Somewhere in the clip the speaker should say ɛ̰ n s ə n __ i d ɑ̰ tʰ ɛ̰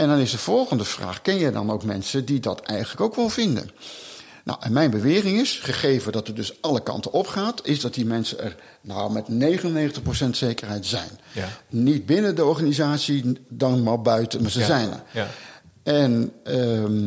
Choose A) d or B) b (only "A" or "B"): A